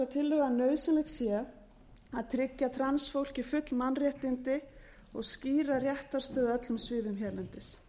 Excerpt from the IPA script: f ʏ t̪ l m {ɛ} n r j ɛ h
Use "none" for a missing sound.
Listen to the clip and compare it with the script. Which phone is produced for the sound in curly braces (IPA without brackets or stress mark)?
a